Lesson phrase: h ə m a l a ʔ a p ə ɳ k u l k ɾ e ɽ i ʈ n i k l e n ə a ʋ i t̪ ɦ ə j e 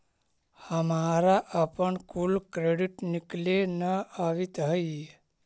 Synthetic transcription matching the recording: h ə m a ɾ a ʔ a p ə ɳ k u l k ɾ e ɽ i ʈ n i k l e n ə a ʋ i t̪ ɦ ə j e